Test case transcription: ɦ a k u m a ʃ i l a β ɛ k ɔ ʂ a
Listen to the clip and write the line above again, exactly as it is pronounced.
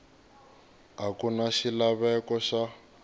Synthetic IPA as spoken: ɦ a k u n a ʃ i l a β ɛ k ɔ ʃ a